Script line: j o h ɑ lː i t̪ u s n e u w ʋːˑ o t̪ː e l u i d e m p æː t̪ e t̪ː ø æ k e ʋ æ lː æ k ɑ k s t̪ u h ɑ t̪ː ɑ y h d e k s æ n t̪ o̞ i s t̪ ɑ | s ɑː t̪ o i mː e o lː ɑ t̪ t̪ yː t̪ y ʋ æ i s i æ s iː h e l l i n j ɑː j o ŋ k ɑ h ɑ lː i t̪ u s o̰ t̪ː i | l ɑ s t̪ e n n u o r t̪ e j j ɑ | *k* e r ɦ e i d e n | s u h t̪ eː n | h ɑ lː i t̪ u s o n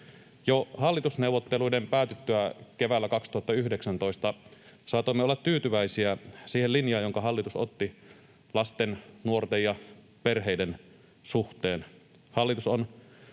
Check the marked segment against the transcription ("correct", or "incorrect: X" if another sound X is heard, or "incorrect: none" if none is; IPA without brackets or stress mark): incorrect: p